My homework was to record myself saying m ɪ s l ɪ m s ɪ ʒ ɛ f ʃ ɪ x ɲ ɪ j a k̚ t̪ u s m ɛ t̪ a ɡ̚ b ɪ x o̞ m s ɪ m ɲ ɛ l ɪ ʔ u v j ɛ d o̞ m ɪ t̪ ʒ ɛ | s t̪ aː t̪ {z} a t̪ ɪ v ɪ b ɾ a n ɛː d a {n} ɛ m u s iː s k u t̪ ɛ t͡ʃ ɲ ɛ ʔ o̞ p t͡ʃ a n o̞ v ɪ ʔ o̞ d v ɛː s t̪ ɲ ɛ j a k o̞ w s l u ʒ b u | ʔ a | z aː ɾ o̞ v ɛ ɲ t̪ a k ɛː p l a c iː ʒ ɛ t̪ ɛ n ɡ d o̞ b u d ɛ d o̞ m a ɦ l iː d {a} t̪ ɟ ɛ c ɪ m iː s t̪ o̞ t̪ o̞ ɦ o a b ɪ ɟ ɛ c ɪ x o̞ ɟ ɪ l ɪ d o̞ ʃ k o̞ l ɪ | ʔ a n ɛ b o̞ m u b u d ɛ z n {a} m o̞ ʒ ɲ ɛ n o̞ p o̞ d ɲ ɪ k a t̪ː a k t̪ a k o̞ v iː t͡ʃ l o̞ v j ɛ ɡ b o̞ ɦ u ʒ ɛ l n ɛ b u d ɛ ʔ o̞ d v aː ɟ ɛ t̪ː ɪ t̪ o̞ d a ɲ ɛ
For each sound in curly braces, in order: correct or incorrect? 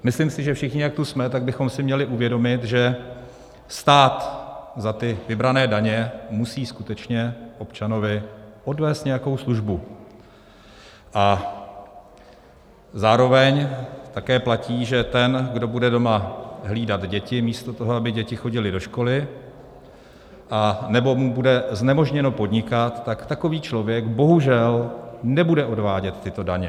correct, incorrect: ɲ, correct, incorrect: ɛ

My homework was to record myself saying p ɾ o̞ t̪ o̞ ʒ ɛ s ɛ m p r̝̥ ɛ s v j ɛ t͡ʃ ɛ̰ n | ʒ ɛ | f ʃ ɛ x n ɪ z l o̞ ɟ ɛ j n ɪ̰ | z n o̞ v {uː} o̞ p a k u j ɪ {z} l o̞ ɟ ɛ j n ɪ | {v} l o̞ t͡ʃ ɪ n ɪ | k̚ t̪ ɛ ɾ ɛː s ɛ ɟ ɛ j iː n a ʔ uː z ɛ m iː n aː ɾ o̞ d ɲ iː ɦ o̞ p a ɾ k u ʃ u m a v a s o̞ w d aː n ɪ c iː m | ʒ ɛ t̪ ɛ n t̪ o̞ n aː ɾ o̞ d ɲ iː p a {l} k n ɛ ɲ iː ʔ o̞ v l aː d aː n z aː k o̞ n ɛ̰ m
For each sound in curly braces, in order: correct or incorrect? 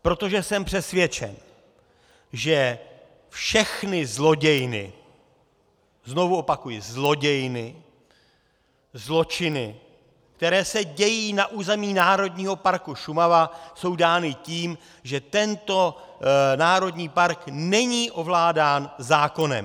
incorrect: u, correct, incorrect: z, incorrect: ɾ

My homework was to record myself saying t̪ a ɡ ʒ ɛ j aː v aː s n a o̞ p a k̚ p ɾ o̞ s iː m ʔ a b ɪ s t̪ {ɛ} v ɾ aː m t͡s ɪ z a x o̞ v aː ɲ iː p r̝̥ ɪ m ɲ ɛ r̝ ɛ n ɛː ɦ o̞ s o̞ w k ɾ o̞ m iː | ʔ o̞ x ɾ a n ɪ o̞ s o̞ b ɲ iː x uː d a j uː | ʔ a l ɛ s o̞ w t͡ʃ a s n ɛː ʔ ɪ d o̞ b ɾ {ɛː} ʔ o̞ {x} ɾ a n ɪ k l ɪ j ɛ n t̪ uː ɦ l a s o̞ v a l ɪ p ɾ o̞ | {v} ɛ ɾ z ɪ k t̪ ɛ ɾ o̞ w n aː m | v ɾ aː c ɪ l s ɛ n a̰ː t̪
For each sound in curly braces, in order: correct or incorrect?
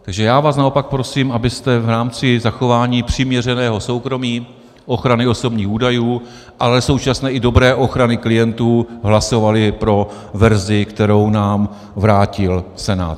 correct, correct, correct, correct

